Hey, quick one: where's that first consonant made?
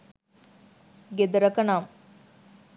velum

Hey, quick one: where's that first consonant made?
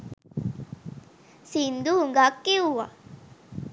tongue tip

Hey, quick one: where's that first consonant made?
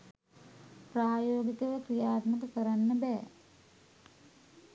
lips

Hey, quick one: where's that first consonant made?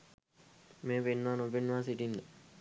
lips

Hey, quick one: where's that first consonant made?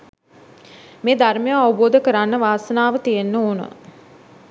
lips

